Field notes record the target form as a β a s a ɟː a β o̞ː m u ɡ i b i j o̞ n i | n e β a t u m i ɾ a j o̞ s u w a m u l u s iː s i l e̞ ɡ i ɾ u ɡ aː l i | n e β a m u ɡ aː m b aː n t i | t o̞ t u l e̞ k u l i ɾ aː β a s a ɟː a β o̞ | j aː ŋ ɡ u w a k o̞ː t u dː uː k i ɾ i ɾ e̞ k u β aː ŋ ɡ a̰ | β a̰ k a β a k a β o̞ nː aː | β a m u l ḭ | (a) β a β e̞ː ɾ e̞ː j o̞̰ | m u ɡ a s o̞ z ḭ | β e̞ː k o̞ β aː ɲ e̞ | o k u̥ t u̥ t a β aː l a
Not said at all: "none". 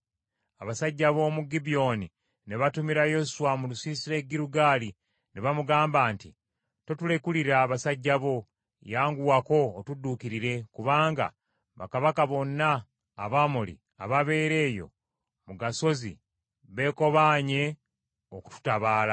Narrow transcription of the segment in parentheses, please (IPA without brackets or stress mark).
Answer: a